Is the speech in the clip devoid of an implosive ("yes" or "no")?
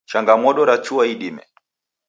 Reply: no